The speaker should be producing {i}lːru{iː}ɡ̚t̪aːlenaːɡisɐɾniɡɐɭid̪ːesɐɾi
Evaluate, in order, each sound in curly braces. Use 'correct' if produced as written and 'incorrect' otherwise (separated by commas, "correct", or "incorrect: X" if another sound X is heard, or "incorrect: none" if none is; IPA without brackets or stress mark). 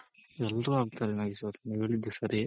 incorrect: ɛ, incorrect: aː